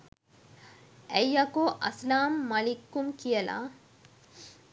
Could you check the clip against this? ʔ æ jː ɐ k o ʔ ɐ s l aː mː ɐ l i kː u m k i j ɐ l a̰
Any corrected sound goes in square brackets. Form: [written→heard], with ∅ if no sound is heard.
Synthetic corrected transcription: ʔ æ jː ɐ k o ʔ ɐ s l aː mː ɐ l i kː u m k i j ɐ l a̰